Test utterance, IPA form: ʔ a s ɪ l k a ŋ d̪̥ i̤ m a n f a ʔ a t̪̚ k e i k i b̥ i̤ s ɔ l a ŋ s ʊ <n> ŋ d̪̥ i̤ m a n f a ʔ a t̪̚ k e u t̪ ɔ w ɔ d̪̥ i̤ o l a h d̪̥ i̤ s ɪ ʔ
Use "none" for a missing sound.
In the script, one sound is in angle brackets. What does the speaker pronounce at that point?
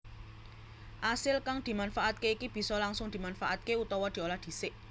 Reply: none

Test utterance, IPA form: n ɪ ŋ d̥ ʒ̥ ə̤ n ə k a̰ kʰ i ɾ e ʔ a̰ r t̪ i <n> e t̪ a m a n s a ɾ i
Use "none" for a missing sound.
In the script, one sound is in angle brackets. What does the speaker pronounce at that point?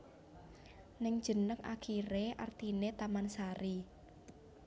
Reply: n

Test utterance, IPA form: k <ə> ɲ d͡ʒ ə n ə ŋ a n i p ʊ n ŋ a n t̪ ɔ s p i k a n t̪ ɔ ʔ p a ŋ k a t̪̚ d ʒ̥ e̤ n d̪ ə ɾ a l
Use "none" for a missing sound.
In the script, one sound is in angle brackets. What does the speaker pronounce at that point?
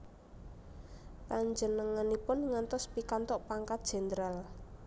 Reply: a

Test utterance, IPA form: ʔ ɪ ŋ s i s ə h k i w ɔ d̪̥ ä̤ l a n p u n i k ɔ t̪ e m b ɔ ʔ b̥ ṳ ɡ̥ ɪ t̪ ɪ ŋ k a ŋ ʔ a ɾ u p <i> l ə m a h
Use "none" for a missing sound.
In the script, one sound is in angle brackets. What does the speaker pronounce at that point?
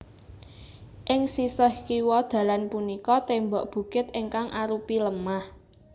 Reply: i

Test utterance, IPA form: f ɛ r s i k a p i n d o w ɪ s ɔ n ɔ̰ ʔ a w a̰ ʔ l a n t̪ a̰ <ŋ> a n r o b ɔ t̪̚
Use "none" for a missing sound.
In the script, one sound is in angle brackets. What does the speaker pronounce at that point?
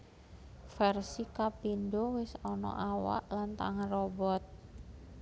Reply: ŋ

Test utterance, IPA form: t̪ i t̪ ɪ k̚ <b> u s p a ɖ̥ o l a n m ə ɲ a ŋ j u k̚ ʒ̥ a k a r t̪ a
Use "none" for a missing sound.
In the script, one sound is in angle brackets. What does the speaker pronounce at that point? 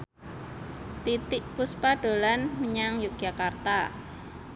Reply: p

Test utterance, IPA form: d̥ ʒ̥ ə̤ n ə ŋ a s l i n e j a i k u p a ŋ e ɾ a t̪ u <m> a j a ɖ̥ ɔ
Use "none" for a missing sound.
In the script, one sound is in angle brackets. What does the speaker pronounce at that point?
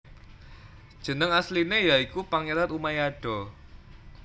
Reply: m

